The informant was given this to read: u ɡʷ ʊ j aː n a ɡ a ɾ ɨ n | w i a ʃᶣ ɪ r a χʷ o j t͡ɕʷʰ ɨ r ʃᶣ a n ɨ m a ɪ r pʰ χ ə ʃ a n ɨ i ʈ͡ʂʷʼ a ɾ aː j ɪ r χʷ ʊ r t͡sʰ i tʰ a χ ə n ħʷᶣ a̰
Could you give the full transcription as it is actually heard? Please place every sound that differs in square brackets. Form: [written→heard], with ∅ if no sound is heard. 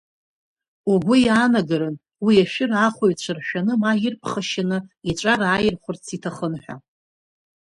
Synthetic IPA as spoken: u ɡʷ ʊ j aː n a ɡ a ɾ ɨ n | w i a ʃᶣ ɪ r a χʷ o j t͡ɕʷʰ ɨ r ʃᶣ a n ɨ m a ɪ r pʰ χ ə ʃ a n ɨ i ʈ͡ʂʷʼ a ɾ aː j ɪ r χʷ ʊ r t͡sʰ i tʰ a χ ə n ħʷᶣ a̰